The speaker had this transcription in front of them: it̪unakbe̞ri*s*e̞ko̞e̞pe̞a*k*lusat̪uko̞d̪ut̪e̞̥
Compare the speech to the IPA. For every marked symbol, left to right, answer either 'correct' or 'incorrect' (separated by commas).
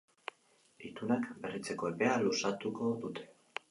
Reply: incorrect, incorrect